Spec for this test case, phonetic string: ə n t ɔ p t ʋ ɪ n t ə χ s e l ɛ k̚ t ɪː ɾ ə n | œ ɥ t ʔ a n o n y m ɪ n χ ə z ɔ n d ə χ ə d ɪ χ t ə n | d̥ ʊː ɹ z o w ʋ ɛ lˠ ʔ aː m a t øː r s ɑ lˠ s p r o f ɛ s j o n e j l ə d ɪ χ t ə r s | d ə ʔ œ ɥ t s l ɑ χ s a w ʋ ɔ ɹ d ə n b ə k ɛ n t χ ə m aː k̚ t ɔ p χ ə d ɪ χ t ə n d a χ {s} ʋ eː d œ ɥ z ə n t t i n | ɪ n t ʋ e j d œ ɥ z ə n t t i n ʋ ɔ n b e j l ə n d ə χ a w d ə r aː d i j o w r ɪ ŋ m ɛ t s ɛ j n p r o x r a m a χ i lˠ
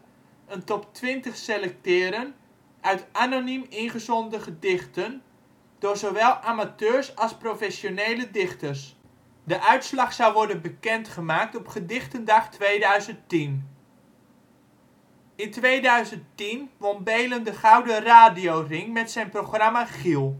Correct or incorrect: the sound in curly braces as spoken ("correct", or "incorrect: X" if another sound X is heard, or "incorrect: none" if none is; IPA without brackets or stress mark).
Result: incorrect: t